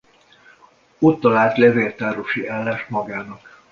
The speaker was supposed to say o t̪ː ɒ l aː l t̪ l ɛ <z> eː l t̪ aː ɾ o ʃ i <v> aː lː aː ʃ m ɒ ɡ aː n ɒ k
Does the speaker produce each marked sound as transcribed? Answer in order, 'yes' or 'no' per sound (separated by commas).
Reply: no, no